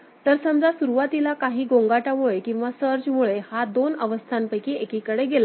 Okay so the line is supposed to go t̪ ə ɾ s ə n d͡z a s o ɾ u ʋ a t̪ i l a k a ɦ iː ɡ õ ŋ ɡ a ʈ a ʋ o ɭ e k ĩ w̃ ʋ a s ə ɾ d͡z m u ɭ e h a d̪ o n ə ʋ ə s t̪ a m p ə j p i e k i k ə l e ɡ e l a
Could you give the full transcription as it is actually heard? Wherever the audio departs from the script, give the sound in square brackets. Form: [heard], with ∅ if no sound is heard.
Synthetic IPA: t̪ ə ɾ s ə [m] d͡z a s [u] ɾ u ʋ a t̪ i l a k a ɦ iː ɡ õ ŋ ɡ a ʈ a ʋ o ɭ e k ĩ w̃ ʋ a s ə ɾ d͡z m u ɭ e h a d̪ o n ə ʋ ə s [t̪ʰ] a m p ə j [k] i e k i k ə [ɽ] e ɡ e l a